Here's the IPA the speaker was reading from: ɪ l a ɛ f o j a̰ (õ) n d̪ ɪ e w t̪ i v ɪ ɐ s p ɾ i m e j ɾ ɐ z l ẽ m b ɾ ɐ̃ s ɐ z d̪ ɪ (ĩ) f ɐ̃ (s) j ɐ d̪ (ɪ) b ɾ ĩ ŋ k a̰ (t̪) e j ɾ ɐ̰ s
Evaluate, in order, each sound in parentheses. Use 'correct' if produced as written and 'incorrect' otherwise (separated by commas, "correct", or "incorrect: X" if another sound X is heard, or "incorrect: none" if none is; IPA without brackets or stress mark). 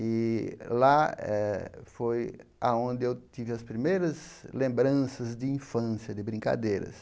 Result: correct, correct, correct, correct, incorrect: d̪